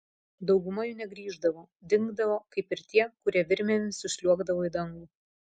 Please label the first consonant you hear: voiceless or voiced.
voiced